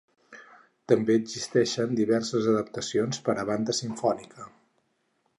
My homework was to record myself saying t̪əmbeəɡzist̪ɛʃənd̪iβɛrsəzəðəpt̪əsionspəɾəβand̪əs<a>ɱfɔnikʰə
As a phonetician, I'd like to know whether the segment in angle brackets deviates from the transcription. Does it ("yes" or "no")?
yes